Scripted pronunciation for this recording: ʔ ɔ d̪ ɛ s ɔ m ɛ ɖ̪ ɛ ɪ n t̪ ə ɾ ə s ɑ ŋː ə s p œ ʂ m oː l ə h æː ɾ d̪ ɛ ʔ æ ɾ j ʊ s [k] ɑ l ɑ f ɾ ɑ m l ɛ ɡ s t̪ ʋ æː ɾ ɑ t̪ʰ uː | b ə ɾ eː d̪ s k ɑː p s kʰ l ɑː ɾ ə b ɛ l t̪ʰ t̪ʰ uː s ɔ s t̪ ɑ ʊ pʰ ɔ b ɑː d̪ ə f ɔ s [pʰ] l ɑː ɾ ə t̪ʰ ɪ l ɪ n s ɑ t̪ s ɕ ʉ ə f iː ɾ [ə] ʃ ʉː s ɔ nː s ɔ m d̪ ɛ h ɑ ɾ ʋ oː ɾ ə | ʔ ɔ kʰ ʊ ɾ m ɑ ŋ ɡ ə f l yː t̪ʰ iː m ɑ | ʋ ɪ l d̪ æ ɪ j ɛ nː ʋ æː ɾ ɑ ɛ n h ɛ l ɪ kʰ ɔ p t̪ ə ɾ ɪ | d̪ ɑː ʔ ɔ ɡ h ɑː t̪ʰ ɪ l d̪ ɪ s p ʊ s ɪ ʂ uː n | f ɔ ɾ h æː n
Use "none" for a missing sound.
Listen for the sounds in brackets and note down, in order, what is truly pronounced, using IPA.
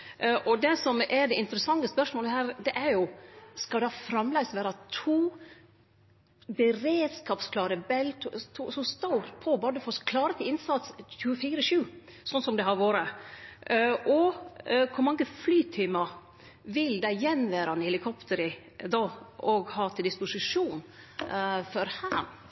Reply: k, kʰ, ə

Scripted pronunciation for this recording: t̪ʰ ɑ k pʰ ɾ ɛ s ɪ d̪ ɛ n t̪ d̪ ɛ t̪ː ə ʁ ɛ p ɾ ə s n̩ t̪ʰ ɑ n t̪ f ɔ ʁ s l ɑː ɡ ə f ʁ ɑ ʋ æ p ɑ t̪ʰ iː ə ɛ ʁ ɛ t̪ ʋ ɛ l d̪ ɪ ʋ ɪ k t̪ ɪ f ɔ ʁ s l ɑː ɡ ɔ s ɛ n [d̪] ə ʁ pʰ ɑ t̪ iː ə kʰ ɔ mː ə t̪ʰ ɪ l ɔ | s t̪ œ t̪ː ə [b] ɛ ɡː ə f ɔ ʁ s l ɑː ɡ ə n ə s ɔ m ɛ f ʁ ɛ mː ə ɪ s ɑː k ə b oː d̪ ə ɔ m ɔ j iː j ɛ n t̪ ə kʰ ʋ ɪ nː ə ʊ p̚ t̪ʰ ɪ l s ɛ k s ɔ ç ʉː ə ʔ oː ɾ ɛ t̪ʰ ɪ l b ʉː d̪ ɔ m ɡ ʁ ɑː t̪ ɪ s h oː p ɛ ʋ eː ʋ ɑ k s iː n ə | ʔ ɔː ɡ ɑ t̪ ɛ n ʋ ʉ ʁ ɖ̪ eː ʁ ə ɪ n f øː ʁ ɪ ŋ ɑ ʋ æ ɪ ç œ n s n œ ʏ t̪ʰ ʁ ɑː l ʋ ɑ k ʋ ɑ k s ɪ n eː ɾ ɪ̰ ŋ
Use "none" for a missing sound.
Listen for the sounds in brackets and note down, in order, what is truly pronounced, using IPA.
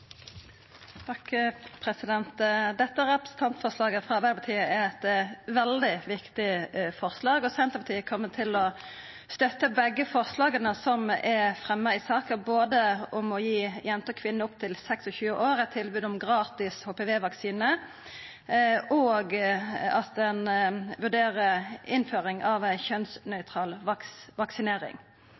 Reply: t̪, b

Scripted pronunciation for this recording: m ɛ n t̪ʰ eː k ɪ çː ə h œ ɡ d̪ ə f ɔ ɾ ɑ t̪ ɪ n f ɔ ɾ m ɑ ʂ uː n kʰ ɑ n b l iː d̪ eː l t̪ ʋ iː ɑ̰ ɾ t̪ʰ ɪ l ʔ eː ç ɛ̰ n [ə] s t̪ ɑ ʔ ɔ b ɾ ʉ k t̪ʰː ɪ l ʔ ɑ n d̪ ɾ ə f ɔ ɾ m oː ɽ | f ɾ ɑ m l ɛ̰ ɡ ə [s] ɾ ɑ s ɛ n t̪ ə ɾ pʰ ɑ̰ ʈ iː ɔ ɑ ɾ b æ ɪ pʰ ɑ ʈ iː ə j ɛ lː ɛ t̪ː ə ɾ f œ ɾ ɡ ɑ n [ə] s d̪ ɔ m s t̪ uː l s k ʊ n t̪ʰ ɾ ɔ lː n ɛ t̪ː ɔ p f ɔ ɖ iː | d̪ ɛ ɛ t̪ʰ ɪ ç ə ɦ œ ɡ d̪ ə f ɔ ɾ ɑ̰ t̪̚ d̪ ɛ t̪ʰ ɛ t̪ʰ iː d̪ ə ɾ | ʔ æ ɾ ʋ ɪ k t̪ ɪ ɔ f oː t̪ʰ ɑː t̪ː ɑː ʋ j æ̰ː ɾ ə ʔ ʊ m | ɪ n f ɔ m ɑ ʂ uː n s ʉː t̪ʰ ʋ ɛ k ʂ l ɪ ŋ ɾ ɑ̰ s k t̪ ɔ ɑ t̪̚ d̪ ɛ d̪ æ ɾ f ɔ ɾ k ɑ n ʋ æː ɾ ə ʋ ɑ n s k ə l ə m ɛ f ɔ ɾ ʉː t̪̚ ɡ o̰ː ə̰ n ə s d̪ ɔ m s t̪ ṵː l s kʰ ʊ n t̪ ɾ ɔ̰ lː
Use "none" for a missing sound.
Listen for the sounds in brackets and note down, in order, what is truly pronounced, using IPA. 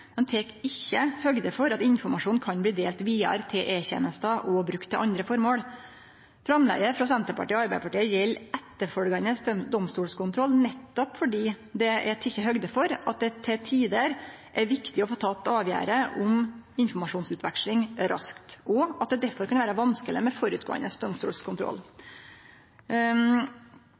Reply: ə, f, ə

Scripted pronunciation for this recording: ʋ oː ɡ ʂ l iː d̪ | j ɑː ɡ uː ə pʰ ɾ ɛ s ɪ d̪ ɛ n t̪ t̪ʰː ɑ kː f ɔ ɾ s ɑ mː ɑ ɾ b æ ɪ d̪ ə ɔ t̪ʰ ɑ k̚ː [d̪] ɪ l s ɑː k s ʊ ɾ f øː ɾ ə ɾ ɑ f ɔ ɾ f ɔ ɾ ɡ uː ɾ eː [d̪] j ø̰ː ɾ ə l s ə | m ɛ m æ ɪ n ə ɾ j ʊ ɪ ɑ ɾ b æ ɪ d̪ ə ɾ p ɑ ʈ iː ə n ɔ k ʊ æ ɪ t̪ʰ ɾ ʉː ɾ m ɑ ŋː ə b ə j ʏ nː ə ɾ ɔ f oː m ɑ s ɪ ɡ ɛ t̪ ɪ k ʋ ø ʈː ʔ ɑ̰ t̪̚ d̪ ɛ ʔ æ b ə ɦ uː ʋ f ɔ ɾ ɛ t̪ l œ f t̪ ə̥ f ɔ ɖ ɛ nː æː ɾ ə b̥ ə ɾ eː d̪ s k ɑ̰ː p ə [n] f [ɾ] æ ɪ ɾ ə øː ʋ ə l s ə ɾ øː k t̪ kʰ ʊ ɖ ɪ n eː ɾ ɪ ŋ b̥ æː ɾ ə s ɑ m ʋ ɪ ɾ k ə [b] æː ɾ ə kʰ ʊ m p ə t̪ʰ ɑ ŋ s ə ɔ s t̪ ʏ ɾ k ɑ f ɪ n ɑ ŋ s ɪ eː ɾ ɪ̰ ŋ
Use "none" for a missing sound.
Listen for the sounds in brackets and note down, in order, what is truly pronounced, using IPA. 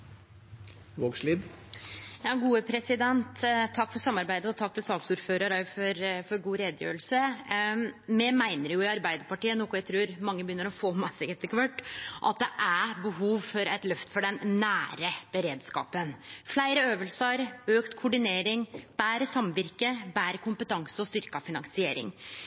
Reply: t̪, d̪, n, l, b

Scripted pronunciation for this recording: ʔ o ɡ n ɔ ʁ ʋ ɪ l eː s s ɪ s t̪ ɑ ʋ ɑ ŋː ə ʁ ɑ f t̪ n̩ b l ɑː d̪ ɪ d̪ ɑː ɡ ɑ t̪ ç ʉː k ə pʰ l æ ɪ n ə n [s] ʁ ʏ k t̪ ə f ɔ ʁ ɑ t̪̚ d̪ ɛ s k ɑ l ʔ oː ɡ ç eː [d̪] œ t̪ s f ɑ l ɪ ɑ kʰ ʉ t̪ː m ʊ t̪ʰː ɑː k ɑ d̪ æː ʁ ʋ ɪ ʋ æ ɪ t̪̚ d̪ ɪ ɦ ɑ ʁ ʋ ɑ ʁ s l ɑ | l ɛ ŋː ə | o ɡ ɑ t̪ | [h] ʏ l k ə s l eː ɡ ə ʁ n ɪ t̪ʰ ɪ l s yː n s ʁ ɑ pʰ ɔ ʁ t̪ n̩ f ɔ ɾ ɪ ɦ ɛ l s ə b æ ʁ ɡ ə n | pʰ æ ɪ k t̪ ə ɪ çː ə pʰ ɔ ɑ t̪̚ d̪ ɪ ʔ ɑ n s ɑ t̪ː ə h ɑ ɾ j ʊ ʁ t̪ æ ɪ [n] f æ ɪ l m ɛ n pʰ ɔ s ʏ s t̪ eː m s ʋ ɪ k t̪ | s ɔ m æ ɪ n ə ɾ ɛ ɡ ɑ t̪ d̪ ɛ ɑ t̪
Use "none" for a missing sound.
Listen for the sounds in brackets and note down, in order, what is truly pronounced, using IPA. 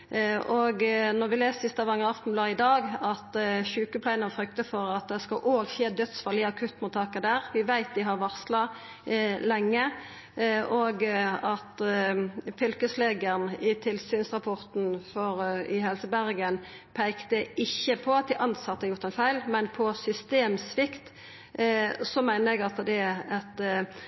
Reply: f, d̪, f, n

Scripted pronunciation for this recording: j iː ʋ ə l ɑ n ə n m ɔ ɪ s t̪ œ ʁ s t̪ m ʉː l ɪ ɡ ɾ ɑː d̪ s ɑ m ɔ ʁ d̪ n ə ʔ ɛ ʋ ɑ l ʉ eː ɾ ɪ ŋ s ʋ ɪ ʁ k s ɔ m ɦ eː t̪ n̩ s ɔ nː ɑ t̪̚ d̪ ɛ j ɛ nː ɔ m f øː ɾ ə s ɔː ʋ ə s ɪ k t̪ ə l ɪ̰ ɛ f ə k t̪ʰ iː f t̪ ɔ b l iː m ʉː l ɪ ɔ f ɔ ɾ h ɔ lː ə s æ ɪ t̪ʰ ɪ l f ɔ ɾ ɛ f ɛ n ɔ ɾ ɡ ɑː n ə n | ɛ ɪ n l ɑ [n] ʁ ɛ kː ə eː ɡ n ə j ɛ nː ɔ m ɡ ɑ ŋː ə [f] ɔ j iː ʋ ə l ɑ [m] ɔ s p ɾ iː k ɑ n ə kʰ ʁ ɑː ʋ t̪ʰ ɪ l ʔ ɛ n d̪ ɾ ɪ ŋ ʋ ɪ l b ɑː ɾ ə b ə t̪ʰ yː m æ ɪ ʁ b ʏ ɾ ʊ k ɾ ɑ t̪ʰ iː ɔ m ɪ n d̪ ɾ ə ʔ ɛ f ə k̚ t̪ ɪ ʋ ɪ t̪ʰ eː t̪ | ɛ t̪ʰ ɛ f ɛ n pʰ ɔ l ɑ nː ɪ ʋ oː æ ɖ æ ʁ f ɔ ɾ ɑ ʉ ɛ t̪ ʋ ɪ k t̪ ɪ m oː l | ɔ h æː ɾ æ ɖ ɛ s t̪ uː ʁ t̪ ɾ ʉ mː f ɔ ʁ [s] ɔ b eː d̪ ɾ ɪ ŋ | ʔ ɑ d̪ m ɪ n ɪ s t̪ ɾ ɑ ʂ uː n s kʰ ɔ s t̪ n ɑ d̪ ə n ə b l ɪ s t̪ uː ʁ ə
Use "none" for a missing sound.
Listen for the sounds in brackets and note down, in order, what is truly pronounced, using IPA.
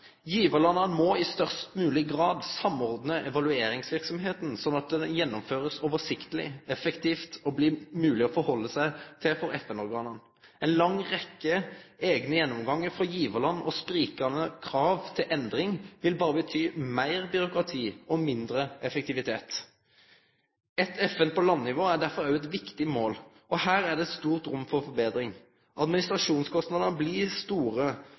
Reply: ŋ, f, n, f

